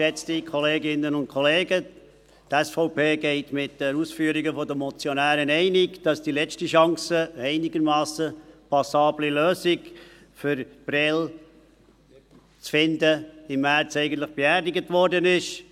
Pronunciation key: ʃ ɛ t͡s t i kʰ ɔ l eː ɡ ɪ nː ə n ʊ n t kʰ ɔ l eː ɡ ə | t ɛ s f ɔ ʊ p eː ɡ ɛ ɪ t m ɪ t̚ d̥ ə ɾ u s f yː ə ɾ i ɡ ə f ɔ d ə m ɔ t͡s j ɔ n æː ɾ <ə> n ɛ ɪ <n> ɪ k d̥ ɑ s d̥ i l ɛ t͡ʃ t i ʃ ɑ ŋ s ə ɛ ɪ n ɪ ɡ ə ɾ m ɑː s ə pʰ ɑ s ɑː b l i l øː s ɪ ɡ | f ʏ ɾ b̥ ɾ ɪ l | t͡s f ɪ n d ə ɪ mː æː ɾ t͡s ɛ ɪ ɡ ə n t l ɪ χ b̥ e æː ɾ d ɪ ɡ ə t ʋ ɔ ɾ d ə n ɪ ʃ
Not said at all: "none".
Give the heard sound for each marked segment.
ə, n

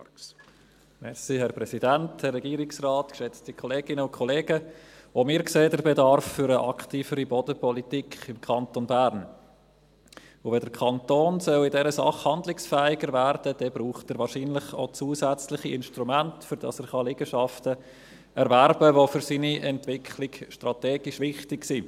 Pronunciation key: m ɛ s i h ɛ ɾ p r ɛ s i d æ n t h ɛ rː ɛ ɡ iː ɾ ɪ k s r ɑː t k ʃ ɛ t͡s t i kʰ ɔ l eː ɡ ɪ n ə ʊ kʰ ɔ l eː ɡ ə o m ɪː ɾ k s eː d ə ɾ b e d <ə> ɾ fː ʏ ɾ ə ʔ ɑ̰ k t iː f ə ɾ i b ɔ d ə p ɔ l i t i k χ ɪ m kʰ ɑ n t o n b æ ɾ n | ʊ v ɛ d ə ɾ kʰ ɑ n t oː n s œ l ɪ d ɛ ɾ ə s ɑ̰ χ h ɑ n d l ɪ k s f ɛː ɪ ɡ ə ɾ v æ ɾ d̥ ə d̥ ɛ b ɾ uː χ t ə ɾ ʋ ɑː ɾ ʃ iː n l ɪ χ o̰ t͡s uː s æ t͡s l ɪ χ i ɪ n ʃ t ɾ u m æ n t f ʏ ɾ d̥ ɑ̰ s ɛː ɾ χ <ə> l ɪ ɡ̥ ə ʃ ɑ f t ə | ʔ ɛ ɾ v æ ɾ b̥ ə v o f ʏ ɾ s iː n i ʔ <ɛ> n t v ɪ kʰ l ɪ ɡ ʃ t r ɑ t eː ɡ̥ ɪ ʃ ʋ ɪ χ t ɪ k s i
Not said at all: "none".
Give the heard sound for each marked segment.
ɑ, ɑ, ɛ

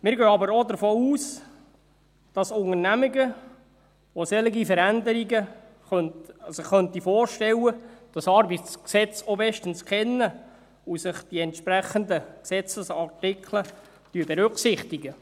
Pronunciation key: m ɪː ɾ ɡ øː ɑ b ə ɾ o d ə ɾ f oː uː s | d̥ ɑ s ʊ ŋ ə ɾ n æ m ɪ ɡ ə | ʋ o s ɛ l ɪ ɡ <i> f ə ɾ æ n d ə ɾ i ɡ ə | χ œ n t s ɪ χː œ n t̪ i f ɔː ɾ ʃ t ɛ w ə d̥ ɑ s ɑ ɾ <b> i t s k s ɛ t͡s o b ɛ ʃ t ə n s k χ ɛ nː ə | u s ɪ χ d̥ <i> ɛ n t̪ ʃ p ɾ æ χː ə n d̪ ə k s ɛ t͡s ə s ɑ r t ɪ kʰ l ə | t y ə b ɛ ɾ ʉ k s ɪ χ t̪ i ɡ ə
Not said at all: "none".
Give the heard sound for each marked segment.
i, b, i

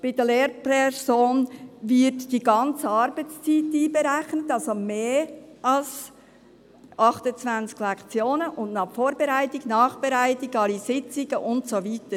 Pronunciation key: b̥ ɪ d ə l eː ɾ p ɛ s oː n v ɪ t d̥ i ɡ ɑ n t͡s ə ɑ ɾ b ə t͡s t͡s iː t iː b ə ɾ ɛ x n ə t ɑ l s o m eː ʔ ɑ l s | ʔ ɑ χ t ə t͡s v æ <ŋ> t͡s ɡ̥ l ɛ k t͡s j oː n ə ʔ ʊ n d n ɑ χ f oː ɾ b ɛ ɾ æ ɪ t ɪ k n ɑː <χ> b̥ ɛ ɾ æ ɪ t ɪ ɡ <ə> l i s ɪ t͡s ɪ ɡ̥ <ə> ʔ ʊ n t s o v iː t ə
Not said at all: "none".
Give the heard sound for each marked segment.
n, χ, ɑ, ə

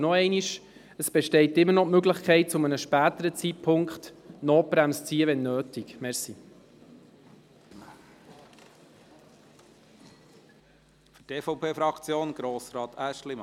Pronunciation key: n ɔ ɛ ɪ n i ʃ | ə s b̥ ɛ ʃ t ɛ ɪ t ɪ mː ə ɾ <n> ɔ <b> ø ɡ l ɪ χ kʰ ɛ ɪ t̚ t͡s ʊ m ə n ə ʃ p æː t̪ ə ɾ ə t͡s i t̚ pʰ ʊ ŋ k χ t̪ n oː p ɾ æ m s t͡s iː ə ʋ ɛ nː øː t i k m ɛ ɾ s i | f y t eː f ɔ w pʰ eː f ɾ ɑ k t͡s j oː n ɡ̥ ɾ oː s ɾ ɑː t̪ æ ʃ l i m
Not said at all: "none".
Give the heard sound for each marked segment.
n, m

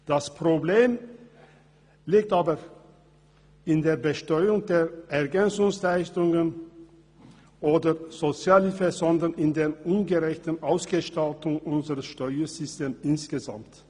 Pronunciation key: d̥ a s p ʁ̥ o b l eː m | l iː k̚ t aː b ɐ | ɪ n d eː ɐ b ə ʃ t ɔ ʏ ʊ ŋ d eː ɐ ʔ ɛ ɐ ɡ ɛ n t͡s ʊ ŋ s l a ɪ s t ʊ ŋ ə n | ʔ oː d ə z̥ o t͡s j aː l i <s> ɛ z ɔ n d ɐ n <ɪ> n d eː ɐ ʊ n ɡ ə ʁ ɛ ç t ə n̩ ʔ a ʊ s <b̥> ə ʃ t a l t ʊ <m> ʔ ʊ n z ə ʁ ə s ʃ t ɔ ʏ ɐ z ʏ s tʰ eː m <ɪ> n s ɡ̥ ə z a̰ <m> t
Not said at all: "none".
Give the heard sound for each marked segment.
f, ɪ, ɡ̥, ŋ, ɪ, m

